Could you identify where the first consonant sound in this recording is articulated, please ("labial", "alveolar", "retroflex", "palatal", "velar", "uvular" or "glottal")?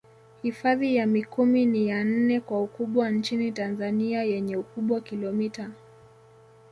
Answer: glottal